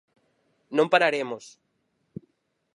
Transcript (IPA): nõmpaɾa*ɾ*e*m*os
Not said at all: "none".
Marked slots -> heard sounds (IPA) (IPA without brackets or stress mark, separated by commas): ɾ, m